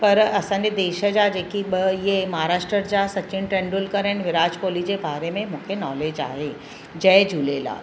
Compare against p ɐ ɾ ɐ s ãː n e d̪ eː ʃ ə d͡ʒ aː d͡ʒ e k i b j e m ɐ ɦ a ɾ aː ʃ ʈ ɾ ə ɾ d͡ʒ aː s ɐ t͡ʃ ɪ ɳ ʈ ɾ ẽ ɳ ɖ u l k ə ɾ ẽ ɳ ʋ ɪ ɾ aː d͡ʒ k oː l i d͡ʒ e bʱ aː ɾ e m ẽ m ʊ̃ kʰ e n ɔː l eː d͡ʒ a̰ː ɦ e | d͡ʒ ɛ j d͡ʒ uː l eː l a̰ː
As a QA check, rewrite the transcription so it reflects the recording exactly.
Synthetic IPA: p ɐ ɾ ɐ s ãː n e d̪ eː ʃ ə d͡ʒ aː d͡ʒ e k i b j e m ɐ ɦ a ɾ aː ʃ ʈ ɾ ə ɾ d͡ʒ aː s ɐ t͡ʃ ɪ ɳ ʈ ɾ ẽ ɳ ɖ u l k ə ɾ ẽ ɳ ʋ ɪ ɾ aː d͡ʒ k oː l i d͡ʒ e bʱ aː ɾ e m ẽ m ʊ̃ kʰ e n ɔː l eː d͡ʒ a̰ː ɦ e | d͡ʒ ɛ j d͡ʒ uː l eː l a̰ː